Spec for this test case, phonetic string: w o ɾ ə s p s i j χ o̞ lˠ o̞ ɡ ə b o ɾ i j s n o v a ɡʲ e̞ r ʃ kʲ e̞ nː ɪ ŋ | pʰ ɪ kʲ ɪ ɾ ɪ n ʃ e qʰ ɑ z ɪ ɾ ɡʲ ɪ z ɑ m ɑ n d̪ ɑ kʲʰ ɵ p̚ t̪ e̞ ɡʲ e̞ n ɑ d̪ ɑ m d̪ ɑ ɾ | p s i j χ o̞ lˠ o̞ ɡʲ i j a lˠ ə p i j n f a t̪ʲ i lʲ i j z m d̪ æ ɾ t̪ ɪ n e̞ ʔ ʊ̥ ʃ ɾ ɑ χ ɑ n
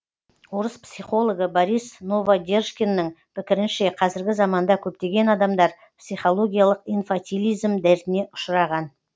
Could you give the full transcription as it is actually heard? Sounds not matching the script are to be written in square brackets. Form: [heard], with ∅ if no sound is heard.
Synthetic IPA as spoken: w o ɾ ə s p s i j χ o̞ lˠ o̞ ɡ ə b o ɾ i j s n o v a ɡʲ e̞ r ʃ kʲ e̞ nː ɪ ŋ | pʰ ɪ kʲ ɪ ɾ ɪ n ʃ e qʰ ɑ z ɪ ɾ ɡʲ ɪ z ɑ m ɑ n d̪ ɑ kʲʰ ɵ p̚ t̪ e̞ ɡʲ e̞ n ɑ d̪ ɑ m d̪ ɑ ɾ | p s i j χ o̞ lˠ o̞ ɡʲ i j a lˠ ə [q] i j n f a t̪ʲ i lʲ i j z m d̪ æ ɾ t̪ ɪ n e̞ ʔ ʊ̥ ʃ ɾ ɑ [ʁ] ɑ n